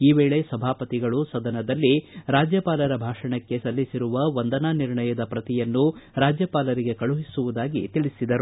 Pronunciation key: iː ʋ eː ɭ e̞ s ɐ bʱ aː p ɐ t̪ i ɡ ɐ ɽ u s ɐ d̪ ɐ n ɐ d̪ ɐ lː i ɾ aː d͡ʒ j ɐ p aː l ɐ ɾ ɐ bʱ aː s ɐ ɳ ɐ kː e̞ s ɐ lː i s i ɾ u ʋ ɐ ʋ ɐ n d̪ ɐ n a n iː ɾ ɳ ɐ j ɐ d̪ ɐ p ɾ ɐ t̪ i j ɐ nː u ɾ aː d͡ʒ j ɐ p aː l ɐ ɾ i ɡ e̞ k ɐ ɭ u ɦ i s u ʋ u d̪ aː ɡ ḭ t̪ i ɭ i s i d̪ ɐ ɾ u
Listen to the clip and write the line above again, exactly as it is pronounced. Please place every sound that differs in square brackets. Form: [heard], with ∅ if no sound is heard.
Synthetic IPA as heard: iː ʋ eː ɭ e̞ s ɐ bʱ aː p ɐ t̪ i ɡ ɐ [ɭ] u s ɐ d̪ ɐ n ɐ d̪ ɐ lː i ɾ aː d͡ʒ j ɐ p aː l ɐ ɾ ɐ bʱ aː [ʂ] ɐ ɳ ɐ kː e̞ s ɐ lː i s i ɾ u ʋ ɐ ʋ ɐ n d̪ ɐ n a n [i] ɾ ɳ ɐ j ɐ d̪ ɐ p ɾ ɐ t̪ i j ɐ nː u ɾ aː d͡ʒ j ɐ p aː l ɐ ɾ i ɡ e̞ k ɐ ɭ u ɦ i s u ʋ u d̪ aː ɡ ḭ t̪ i ɭ i s i d̪ ɐ ɾ u